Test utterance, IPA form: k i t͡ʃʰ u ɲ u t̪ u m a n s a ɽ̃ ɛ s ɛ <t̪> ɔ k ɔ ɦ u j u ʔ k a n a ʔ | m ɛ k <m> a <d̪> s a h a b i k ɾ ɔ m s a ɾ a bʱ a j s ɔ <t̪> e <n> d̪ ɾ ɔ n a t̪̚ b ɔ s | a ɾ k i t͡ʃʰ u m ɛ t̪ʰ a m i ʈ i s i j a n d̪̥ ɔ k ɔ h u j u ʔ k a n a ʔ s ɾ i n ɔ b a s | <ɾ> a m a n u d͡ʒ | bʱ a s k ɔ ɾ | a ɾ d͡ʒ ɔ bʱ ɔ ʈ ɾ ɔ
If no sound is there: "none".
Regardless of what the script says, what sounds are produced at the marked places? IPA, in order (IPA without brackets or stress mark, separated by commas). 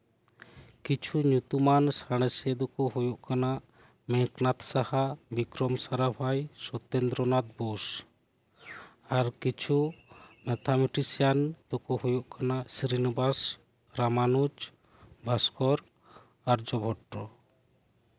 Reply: d̪, n, t̪, t̪, n, ɾ